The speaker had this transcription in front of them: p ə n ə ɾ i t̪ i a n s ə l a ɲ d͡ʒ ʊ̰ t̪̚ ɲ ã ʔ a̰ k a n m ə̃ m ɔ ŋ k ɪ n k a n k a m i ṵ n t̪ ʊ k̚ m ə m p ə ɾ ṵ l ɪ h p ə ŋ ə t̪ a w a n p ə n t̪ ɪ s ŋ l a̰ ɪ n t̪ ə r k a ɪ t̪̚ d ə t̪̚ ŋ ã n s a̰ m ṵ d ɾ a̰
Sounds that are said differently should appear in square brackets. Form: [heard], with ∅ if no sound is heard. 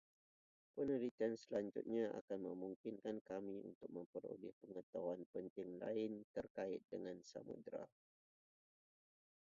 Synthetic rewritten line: p ə n ə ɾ i t̪ i a n s ə l a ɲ d͡ʒ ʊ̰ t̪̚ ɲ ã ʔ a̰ k a n m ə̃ m [u] ŋ k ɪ n k a n k a m i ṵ n t̪ ʊ k̚ m ə m p ə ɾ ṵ l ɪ h p ə ŋ ə t̪ a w a n p ə n t̪ ɪ [∅] ŋ l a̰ ɪ n t̪ ə r k a ɪ t̪̚ d ə [∅] ŋ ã n s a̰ m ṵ d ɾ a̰